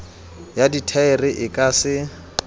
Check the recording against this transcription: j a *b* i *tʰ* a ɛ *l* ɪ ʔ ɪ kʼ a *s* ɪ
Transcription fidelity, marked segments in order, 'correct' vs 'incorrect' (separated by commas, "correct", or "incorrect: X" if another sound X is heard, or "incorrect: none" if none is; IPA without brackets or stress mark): incorrect: d, correct, incorrect: r, correct